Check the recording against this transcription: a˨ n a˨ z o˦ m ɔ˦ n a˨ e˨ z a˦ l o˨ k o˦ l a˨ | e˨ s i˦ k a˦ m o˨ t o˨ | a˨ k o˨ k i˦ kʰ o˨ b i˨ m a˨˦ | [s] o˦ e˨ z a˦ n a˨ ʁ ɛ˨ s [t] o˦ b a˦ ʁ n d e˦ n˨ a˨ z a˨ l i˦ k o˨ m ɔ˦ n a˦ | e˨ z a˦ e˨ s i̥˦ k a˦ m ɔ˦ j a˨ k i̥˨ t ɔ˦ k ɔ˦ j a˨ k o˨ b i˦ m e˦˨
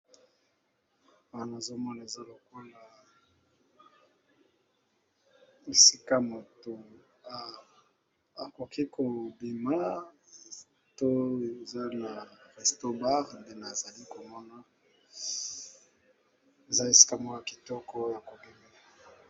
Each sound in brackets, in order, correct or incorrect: incorrect, correct

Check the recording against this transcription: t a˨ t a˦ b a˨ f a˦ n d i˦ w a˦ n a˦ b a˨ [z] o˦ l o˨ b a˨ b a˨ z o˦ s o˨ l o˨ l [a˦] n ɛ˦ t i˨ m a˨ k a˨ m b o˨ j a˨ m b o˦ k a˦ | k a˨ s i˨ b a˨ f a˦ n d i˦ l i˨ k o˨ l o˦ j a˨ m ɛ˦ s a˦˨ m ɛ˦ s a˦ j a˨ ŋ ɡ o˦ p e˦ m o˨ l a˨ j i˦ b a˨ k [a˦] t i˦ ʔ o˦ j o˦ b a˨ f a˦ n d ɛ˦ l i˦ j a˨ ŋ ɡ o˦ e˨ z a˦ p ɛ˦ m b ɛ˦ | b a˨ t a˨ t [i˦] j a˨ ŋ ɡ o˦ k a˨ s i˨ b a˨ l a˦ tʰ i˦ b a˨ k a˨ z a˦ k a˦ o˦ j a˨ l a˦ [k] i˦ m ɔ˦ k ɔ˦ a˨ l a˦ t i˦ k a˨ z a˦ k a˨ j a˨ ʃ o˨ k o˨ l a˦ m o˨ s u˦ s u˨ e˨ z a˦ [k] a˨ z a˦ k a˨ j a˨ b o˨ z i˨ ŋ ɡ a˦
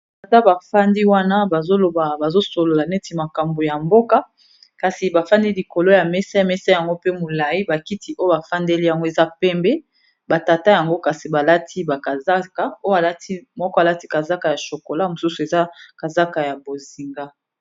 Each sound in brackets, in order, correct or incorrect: correct, incorrect, incorrect, incorrect, incorrect, correct

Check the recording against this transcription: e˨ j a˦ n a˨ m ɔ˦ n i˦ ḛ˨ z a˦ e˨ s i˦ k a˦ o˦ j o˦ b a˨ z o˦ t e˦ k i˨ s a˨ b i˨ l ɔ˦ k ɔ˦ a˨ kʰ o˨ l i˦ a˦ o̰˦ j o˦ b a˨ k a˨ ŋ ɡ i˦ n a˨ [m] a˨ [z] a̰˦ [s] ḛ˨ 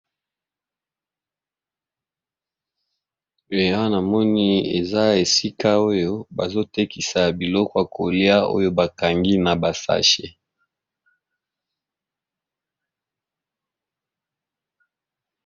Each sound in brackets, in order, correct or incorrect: incorrect, incorrect, incorrect

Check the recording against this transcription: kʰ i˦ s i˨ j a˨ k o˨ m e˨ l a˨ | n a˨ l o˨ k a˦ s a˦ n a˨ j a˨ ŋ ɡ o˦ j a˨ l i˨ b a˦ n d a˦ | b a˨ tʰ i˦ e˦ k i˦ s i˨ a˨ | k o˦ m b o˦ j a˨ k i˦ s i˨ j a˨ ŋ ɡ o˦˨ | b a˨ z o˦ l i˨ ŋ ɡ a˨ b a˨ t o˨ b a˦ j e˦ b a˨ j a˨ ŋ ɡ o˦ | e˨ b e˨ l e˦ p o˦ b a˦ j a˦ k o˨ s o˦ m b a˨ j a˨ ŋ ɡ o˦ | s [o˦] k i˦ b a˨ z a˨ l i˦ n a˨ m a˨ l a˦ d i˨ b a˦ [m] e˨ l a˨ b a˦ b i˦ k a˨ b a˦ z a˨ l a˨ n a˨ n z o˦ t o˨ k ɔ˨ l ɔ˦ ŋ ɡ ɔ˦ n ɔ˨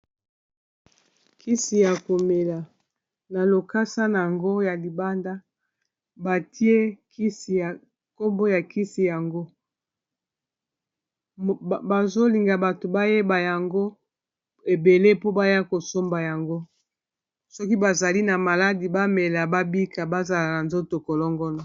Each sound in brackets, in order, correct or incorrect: incorrect, correct

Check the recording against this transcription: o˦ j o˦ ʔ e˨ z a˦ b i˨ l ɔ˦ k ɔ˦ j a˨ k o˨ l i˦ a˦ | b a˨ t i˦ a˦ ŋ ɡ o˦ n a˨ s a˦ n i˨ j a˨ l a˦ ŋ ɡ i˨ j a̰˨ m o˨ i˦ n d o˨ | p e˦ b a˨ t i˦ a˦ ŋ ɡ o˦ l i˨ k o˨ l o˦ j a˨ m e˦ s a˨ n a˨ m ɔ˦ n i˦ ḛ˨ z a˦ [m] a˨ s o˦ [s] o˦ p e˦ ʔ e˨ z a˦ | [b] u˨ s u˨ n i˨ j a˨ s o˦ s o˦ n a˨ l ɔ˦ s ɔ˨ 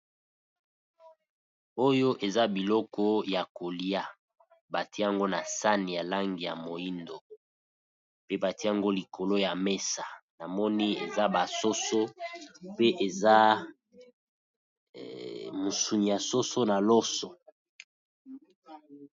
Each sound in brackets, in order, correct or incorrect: incorrect, correct, incorrect

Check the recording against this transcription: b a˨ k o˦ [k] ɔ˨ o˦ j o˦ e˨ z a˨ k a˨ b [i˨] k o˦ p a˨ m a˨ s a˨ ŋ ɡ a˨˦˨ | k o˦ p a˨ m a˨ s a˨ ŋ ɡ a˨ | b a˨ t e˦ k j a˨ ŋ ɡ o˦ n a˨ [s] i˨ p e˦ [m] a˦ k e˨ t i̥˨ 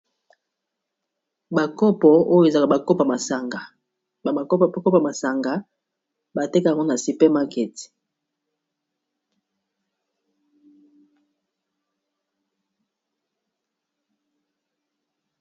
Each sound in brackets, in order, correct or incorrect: incorrect, incorrect, correct, correct

